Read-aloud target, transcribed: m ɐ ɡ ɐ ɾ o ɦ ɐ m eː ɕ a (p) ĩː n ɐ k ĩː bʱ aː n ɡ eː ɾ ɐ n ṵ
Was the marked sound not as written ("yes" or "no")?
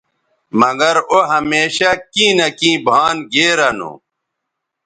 yes